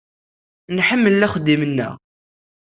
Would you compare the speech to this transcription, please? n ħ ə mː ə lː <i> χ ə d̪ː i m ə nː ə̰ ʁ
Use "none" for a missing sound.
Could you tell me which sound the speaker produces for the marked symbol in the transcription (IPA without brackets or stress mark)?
æ